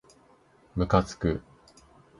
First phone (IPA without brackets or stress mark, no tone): m